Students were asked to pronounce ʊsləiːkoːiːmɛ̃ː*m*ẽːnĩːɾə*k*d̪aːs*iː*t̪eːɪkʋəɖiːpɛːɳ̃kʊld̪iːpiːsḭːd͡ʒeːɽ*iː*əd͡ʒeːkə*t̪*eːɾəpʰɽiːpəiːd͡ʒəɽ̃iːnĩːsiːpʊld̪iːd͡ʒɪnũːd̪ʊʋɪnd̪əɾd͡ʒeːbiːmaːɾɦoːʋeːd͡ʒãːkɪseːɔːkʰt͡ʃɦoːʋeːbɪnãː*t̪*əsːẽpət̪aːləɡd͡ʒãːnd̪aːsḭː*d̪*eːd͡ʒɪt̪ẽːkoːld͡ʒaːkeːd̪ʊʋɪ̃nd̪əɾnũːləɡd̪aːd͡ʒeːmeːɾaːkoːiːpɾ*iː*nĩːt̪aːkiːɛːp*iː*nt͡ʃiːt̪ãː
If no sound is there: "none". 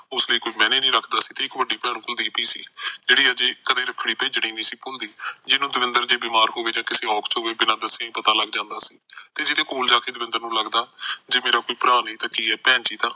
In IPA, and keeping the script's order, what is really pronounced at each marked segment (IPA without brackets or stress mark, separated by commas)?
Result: n, kʰ, iː, iː, d̪, d̪, t̪, aː, ɛː